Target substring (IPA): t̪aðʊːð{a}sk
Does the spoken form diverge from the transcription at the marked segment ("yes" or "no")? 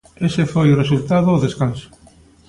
yes